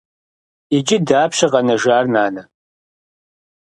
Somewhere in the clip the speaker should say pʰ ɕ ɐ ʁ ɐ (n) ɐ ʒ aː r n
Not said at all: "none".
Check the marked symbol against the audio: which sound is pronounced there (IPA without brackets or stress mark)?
n